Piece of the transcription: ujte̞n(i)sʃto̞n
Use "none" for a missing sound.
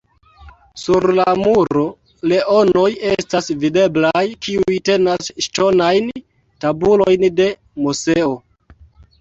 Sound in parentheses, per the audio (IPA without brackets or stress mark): a